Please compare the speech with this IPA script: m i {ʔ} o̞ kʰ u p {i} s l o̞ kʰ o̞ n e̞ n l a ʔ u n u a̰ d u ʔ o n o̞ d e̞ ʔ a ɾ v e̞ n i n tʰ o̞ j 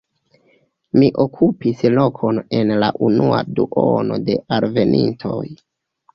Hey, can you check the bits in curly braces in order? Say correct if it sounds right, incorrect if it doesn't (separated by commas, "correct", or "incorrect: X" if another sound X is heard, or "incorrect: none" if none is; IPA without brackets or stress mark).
correct, correct